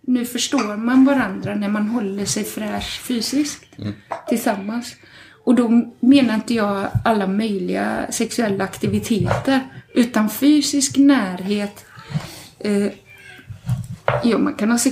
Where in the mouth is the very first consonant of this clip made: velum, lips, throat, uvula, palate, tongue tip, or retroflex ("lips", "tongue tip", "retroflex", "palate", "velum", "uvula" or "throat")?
tongue tip